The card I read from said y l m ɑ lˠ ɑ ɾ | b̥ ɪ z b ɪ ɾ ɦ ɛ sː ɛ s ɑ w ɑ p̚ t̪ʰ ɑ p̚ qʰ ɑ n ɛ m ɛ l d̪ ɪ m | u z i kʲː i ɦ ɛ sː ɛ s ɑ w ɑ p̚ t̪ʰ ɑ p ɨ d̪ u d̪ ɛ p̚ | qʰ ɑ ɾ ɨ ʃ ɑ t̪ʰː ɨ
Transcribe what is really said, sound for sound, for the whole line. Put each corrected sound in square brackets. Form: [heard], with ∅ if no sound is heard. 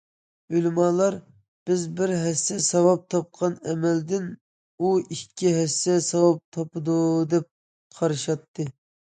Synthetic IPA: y l m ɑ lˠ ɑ ɾ | b̥ ɪ z b ɪ ɾ ɦ ɛ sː ɛ s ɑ w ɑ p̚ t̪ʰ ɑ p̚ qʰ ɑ n ɛ m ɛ l d̪ ɪ [n] | u [∅] i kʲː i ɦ ɛ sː ɛ s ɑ w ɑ p̚ t̪ʰ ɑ p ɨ d̪ u d̪ ɛ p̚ | qʰ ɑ ɾ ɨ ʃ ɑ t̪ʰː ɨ